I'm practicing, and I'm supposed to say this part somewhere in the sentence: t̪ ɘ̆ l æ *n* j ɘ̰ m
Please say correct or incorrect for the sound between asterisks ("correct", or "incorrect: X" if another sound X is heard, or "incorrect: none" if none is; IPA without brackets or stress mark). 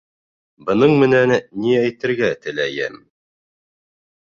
incorrect: none